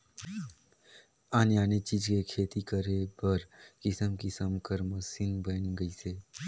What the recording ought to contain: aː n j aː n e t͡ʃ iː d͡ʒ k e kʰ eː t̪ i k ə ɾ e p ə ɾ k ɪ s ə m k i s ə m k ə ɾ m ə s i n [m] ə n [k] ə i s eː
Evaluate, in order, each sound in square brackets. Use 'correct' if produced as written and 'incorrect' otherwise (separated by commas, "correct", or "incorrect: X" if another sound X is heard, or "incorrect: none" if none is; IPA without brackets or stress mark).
incorrect: b, incorrect: ɡ